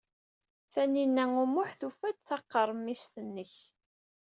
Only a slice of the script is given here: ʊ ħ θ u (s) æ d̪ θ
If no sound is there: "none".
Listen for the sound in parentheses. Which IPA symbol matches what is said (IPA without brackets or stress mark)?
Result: f